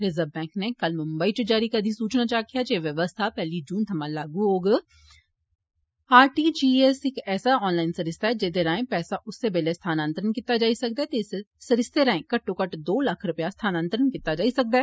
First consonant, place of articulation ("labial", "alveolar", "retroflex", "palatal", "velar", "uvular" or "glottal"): alveolar